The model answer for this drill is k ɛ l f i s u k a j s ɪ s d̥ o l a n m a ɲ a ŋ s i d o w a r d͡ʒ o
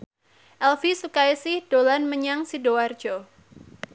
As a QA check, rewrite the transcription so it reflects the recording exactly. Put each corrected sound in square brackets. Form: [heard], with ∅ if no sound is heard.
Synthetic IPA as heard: [ʔ] ɛ l f i s u k a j s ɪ [h] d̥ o l a n m [ə] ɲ a ŋ s i d o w a r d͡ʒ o